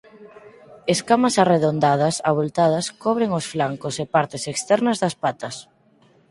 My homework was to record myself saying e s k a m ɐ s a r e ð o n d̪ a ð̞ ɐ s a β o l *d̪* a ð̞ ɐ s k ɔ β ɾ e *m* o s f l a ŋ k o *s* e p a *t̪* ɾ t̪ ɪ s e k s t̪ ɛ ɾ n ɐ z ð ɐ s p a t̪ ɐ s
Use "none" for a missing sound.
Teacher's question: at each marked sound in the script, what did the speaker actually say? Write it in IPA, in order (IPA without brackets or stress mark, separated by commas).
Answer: t̪, ŋ, s, none